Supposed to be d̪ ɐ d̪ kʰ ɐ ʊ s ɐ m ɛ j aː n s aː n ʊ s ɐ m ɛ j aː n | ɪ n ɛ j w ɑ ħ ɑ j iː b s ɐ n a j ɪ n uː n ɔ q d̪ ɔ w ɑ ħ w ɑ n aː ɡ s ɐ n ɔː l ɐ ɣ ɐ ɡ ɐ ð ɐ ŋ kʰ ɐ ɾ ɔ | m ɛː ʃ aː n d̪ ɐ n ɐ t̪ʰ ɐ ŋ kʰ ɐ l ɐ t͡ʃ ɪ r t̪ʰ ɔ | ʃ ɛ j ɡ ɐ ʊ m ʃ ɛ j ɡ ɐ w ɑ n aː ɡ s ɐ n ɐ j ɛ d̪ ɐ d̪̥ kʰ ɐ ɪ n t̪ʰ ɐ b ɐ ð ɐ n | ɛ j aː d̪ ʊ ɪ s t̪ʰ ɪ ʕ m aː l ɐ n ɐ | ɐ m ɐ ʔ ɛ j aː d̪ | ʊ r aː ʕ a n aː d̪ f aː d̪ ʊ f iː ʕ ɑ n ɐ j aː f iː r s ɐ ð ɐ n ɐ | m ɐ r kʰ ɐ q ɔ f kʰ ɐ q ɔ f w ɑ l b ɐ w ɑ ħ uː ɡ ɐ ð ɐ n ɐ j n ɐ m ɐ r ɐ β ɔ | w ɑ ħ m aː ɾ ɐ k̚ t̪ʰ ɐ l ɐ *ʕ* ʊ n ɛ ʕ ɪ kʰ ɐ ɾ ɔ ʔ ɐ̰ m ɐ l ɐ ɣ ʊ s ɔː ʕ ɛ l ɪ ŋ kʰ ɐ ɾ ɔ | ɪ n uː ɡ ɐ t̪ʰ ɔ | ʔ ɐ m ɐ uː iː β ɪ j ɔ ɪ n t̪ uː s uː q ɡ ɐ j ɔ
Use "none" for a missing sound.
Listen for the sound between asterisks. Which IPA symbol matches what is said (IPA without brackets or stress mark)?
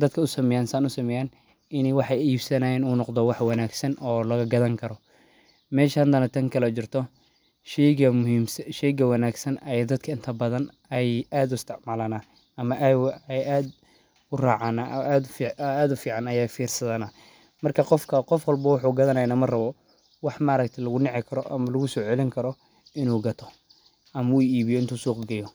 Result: ɣ